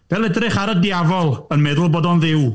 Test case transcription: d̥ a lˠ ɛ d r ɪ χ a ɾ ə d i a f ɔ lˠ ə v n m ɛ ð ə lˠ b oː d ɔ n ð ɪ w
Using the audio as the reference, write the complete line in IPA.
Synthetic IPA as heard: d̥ ɛ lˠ ɛ d r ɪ χ a ɾ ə d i a v ɔ lˠ ə n m ɛ ð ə lˠ b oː d ɔ n ð ɪ w